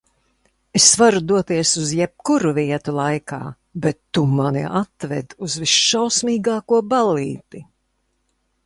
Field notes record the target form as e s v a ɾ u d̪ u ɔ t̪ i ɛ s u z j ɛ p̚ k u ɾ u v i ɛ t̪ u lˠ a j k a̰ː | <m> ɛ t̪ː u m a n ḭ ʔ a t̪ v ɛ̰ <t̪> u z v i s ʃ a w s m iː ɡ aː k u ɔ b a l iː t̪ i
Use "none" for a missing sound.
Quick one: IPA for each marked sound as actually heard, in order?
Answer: b, d̪

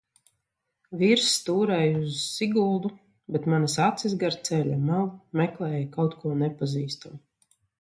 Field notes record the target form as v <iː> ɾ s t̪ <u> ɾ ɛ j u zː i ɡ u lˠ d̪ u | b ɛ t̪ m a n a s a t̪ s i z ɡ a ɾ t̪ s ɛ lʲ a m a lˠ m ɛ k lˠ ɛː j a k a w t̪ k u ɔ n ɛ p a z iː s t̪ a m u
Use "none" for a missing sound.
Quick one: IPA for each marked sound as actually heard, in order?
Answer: i, uː

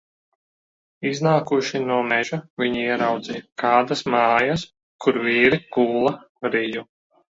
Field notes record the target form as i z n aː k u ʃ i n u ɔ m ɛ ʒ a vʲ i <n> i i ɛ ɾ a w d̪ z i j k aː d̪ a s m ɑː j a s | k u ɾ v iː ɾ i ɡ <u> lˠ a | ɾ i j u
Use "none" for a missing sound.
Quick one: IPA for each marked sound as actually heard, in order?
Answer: ɲ, uː

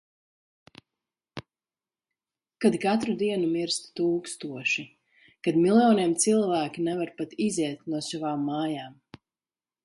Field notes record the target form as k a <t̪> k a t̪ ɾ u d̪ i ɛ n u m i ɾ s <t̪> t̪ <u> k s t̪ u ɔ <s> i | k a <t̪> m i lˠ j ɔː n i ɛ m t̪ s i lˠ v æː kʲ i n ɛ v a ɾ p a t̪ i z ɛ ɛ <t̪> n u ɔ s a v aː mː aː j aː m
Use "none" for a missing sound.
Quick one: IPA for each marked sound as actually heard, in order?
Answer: d̪, t̪, uː, ʃ, d̪, t̪

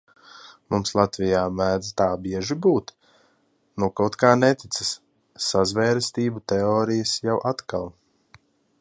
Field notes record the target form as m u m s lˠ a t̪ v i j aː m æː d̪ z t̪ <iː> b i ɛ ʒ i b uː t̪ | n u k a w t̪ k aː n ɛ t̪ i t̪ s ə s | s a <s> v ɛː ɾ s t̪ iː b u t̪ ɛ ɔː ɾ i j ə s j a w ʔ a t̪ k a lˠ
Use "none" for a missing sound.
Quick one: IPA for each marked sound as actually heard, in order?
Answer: aː, z

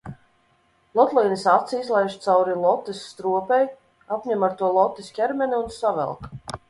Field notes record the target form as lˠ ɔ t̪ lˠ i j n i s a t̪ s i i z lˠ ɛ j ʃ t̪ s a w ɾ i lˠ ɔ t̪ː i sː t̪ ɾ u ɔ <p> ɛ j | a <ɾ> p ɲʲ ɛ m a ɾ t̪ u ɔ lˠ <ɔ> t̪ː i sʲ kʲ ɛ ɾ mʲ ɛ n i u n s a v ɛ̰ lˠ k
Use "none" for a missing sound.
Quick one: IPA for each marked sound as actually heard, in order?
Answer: p, none, ɔ

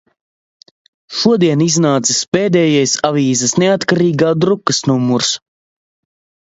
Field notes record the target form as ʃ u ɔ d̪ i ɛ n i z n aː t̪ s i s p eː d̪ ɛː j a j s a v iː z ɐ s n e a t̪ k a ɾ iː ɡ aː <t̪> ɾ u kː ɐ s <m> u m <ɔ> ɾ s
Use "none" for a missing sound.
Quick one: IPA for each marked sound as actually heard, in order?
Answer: d̪, n, u

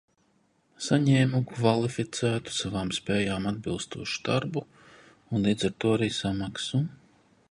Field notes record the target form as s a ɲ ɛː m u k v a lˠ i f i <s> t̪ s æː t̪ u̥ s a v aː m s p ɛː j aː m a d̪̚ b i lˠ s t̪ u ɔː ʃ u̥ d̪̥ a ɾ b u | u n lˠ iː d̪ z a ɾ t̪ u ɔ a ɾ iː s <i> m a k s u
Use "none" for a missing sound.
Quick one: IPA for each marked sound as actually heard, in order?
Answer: none, a

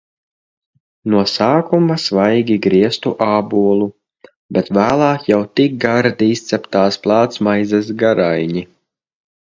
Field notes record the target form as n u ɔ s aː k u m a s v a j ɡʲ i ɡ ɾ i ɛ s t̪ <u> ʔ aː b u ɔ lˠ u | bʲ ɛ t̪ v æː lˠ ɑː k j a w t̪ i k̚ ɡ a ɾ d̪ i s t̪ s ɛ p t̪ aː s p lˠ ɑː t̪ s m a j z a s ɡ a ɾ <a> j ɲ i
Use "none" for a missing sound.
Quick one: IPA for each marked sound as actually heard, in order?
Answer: u, a

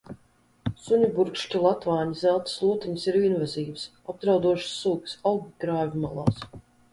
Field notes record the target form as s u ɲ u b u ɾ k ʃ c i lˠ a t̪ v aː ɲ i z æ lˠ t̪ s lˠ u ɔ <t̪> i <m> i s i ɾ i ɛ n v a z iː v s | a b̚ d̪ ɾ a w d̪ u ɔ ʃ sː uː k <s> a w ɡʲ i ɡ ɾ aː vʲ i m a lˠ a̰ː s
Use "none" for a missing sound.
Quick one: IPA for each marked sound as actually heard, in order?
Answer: t̪, ɲ, s

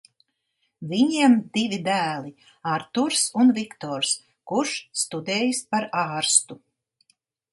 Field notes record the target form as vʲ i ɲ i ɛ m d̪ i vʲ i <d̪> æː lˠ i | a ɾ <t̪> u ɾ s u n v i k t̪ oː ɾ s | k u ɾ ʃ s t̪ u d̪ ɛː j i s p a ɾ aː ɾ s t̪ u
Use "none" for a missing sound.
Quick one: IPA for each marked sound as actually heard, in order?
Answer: d̪, t̪

